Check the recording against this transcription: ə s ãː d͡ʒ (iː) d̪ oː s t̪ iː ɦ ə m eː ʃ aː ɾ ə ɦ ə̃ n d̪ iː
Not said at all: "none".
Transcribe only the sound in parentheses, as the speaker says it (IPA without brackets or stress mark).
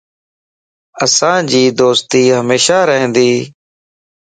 iː